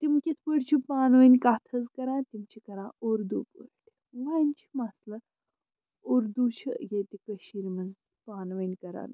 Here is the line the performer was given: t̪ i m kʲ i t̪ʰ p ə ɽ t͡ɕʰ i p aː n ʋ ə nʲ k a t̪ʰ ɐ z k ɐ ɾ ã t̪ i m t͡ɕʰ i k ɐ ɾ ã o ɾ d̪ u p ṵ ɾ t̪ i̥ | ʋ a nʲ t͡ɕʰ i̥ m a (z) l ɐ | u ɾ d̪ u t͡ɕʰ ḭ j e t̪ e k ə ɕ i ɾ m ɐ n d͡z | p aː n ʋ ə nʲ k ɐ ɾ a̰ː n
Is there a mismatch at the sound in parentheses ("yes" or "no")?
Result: yes